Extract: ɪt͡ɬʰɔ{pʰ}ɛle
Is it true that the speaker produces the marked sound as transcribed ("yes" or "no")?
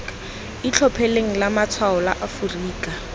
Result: yes